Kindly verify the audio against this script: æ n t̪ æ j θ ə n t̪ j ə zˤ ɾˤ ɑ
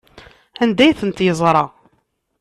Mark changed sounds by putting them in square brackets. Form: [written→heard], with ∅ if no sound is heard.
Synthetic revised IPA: æ n [t̪→d̪] æ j θ ə n t̪ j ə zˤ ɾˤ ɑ